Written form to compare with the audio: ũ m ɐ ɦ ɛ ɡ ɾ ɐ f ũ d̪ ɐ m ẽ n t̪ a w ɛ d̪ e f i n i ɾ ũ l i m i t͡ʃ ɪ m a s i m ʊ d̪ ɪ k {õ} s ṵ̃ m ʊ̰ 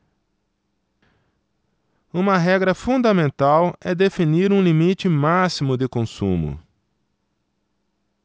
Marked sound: correct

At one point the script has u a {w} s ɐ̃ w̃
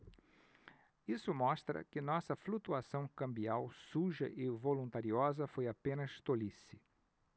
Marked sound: incorrect: none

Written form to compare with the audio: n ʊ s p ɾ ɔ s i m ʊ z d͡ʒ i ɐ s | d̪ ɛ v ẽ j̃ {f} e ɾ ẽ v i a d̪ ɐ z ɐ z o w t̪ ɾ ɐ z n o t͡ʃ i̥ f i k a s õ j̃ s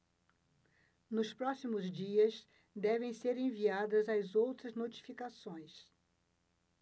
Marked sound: incorrect: s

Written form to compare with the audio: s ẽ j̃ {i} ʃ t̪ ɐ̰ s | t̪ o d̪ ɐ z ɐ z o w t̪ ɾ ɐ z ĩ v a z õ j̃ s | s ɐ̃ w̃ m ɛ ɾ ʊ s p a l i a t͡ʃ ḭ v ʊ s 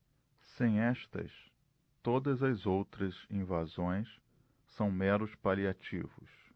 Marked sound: incorrect: ɛ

